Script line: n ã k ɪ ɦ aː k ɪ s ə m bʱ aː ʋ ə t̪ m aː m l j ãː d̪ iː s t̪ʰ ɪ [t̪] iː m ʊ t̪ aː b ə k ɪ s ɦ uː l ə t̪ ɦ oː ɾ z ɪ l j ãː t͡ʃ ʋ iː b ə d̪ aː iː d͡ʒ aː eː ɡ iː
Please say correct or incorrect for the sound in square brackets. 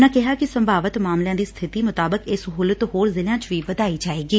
correct